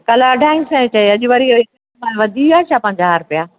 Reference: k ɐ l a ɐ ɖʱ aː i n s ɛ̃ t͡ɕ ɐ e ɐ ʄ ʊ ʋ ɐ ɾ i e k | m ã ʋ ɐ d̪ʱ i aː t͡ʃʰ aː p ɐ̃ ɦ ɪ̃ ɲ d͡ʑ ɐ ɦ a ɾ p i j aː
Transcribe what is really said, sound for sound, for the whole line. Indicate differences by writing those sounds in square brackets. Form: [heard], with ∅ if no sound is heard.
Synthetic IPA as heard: k ɐ l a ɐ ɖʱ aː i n s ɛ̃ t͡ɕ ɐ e ɐ ʄ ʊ ʋ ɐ ɾ i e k | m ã ʋ ɐ d̪ʱ i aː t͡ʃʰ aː p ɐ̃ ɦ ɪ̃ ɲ d͡ʑ [a] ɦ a ɾ p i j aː